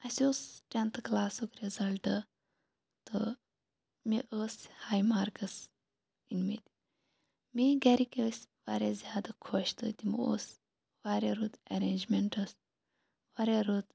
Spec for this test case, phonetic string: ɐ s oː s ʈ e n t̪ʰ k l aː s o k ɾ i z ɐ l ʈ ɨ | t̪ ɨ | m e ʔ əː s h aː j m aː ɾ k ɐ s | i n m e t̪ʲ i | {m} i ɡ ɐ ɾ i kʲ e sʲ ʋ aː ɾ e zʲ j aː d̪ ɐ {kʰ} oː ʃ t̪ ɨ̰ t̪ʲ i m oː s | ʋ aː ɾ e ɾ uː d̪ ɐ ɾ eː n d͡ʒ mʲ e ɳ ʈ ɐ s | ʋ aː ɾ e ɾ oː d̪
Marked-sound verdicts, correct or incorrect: correct, correct

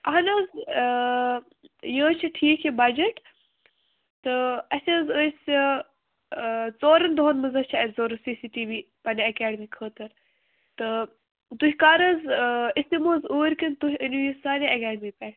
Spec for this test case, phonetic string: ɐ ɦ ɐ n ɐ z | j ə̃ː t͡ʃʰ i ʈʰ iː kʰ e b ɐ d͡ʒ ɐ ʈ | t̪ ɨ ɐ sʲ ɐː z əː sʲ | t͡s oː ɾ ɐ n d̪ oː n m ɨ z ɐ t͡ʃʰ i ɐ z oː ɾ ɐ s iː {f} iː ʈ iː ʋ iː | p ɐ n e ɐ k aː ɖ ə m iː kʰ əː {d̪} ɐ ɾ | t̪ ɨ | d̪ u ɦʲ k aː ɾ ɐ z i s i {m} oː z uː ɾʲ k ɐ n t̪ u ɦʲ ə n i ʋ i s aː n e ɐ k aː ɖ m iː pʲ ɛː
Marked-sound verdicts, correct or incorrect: incorrect: s, incorrect: t̪, correct

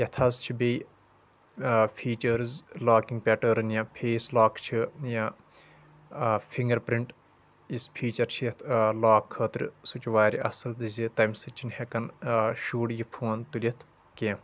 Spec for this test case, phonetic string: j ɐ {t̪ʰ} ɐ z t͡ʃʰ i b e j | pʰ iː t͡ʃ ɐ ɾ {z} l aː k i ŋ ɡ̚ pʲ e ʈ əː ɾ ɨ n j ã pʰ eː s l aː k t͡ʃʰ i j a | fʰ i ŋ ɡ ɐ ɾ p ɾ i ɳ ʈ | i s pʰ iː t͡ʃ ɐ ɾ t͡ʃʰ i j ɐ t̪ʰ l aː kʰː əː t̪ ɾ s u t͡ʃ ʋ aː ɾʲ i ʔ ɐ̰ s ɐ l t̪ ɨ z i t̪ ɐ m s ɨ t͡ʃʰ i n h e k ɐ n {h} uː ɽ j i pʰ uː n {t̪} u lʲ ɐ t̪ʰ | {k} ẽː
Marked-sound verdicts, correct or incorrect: correct, correct, incorrect: ʃ, correct, correct

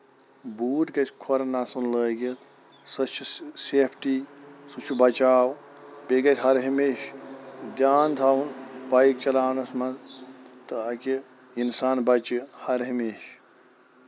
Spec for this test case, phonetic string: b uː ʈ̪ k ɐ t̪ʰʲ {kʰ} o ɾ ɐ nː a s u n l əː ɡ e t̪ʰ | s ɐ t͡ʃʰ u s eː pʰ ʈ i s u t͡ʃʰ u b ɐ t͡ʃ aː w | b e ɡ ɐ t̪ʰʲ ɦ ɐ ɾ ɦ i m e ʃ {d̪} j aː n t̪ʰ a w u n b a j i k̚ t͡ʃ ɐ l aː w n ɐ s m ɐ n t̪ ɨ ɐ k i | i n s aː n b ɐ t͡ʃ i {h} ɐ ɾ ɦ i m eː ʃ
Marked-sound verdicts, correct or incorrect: correct, correct, correct

